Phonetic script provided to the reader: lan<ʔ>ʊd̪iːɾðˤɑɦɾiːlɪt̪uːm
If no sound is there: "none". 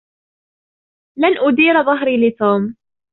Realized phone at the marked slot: ʔ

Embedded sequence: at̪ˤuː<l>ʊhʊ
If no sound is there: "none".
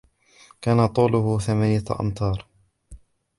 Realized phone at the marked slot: l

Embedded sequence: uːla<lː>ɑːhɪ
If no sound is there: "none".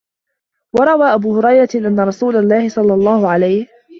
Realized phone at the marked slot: lː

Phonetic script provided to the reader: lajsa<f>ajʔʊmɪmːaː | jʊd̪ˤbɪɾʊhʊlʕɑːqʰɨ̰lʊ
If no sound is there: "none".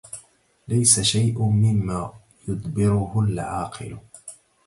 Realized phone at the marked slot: ʃ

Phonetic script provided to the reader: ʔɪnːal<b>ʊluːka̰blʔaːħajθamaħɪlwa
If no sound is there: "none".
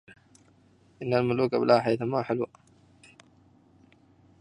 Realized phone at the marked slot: m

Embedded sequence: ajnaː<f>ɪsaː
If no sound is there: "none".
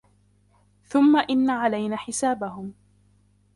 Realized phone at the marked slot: ħ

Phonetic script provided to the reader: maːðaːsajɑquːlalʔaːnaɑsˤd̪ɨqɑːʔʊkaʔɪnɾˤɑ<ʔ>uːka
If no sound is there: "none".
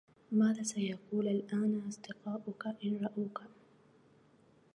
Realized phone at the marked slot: ʔ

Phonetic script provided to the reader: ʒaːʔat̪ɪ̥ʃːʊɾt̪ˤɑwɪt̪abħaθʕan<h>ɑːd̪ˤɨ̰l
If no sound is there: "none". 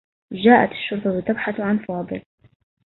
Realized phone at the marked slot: f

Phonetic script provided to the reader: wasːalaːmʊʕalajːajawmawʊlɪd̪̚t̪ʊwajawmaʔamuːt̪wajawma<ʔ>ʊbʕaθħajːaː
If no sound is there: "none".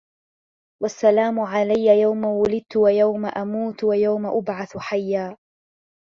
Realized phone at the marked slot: ʔ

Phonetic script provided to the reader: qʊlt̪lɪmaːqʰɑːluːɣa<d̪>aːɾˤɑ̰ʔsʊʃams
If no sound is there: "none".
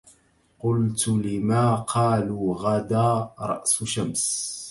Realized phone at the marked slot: d̪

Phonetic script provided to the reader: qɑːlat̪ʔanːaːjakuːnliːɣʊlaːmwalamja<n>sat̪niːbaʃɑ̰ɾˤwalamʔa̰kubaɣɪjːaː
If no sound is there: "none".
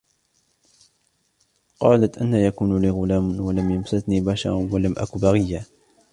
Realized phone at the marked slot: m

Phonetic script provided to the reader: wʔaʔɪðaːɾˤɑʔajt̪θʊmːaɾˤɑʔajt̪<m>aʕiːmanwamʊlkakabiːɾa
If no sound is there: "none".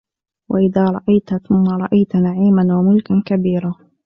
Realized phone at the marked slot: n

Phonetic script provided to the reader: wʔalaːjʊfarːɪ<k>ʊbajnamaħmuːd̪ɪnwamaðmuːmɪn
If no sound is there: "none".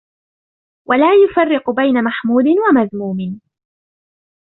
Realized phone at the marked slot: q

